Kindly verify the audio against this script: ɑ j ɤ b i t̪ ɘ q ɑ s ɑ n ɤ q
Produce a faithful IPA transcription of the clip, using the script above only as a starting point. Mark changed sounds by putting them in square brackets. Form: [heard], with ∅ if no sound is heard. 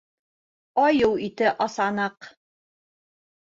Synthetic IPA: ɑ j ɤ [w] i t̪ ɘ [ʔ] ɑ s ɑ n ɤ q